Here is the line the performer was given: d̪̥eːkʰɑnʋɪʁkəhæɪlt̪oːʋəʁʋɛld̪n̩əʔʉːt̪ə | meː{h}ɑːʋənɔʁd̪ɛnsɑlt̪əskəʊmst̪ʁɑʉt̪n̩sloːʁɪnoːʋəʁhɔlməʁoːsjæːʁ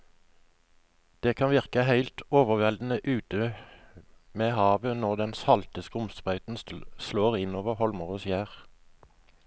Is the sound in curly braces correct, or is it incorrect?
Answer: correct